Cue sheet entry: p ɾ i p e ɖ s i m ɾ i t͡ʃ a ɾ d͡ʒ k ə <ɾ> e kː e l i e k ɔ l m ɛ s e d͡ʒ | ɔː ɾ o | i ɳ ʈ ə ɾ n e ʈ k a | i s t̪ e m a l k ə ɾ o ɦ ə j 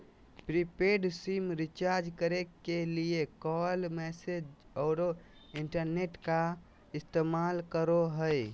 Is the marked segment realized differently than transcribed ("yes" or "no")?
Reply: no